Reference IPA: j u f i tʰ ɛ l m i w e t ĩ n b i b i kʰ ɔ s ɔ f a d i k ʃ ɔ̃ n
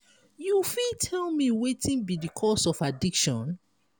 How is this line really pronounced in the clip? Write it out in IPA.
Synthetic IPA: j u f i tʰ ɛ l m i w e t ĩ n b i d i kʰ ɔ s ɔ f a d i k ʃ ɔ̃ n